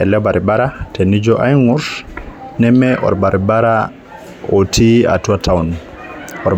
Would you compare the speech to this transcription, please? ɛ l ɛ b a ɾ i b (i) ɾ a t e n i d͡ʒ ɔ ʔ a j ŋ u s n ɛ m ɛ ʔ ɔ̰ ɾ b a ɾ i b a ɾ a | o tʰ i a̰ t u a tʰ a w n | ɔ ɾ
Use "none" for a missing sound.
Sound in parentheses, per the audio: a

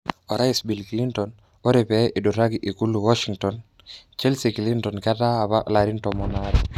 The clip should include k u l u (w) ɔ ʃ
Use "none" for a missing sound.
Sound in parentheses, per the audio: w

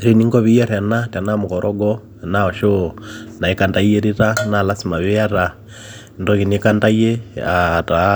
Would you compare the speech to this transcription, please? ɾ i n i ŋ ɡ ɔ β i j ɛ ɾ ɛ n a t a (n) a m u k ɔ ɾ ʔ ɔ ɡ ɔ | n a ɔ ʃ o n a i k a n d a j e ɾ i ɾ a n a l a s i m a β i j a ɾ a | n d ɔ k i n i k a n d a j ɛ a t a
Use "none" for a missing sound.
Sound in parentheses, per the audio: n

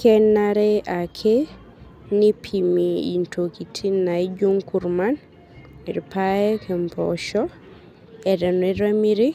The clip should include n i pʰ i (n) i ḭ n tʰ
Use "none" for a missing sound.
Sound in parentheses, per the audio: m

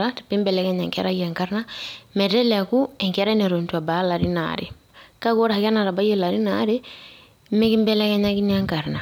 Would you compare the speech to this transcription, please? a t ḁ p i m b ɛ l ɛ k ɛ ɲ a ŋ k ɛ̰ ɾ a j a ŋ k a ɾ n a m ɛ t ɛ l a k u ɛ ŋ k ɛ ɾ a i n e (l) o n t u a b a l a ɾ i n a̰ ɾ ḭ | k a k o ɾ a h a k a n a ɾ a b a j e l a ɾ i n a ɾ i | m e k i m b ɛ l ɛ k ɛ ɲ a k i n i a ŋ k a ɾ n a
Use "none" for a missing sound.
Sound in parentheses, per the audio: ɾ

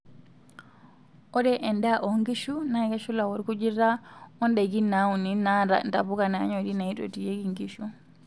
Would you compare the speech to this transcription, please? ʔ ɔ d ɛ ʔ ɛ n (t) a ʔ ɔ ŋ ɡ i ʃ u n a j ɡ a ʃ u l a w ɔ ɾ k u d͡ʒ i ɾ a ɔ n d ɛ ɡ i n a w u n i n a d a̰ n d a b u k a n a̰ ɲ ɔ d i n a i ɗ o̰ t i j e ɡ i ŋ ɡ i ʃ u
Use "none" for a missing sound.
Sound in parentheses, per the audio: d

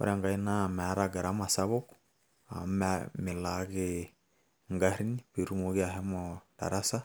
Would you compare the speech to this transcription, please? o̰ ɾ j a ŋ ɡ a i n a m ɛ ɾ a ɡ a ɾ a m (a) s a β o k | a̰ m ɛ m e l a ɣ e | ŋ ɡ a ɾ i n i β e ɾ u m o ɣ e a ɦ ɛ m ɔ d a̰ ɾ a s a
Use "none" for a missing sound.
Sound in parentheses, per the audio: a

